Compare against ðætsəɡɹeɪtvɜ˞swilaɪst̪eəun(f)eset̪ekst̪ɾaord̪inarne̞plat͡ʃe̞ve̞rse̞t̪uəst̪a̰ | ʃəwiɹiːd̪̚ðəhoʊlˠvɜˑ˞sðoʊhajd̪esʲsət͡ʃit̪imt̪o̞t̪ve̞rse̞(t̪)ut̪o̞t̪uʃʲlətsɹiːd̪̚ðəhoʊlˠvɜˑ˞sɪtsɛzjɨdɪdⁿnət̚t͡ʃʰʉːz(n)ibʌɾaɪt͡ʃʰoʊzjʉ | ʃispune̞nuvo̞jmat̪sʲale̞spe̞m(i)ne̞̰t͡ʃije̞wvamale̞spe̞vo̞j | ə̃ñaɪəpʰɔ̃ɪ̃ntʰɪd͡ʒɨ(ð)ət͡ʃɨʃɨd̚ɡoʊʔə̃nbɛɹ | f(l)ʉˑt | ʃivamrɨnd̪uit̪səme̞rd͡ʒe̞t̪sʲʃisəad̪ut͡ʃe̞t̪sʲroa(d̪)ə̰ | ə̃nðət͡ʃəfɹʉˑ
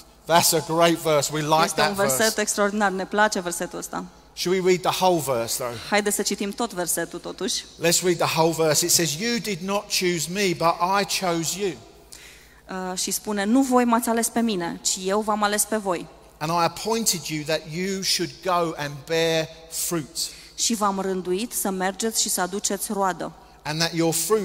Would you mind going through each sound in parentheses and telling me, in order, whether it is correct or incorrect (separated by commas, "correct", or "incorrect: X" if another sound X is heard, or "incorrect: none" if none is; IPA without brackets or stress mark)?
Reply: incorrect: v, correct, incorrect: m, correct, correct, incorrect: ɹ, correct